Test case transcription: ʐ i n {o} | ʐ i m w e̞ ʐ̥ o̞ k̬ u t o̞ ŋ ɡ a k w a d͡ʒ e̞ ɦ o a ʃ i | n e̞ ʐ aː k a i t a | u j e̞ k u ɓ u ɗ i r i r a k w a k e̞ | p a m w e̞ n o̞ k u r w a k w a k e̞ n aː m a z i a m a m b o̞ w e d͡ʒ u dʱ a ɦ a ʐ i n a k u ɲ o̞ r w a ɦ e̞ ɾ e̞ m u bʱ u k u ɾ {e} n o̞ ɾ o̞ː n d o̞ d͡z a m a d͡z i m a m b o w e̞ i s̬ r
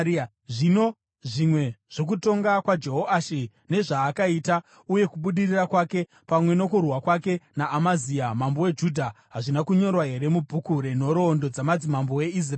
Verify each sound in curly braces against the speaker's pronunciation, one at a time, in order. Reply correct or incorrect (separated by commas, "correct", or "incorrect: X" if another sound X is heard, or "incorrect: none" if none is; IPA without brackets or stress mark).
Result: correct, correct